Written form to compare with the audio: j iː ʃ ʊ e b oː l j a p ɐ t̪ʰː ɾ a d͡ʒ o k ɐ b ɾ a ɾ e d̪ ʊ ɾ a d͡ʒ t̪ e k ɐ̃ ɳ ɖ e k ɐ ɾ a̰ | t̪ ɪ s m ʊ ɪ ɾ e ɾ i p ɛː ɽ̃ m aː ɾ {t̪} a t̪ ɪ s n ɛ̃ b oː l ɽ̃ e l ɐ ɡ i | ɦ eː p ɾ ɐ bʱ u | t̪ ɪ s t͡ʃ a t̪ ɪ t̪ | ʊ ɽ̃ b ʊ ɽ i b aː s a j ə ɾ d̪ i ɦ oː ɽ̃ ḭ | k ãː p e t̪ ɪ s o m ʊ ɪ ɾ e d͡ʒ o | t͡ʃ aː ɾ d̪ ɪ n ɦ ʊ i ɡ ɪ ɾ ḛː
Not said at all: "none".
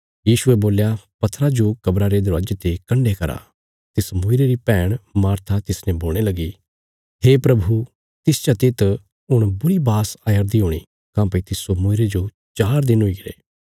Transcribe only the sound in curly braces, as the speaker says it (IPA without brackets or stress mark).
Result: t̪ʰ